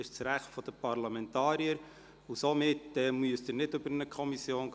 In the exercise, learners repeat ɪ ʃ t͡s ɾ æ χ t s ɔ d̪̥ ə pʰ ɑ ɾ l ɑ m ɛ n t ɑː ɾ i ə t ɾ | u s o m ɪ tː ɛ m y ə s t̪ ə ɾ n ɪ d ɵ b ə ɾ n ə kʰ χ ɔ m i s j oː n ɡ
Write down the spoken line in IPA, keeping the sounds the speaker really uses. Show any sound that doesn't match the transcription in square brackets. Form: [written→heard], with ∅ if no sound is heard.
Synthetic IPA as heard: ɪ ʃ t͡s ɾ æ χ t [s→f] ɔ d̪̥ ə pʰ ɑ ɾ l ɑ m ɛ n t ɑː ɾ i ə [t→∅] ɾ | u s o m ɪ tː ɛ m y ə s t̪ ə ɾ n ɪ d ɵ b ə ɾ n ə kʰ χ ɔ m i s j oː n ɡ